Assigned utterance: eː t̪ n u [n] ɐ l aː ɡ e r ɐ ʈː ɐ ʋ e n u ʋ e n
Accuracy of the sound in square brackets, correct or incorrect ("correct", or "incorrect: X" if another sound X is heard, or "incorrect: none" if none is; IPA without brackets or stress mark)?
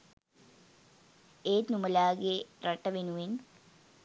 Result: incorrect: m